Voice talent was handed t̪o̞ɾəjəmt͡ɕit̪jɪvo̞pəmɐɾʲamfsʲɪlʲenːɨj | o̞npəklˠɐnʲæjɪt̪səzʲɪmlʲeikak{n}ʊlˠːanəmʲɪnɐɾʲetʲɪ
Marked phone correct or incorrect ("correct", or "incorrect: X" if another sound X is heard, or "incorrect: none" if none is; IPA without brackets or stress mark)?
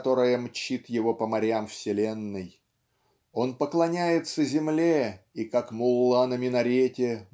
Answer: incorrect: m